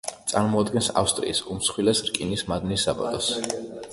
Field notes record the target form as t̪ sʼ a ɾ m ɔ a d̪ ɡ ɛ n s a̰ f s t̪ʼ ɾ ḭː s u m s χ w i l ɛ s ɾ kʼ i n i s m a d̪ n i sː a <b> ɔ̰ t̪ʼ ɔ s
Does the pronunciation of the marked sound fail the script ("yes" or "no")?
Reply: no